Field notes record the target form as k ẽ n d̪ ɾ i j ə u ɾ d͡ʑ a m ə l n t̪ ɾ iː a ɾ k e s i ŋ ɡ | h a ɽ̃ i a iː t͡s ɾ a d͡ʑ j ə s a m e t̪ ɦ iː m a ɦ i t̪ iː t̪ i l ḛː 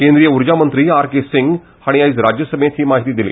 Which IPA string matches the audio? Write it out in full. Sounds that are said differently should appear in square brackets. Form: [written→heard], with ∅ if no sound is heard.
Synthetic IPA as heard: k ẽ n d̪ ɾ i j ə u ɾ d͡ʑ a m ə [l→∅] n t̪ ɾ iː a ɾ k e s i ŋ ɡ | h a ɽ̃ i a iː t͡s ɾ a d͡ʑ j ə s [a→ə] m e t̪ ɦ iː m a ɦ i t̪ iː [t̪→d̪] i l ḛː